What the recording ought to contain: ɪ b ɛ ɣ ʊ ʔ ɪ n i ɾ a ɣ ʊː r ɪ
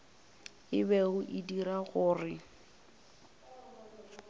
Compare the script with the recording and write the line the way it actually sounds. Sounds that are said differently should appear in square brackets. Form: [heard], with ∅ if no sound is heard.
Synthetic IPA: ɪ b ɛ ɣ ʊ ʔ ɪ [d] i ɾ a ɣ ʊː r ɪ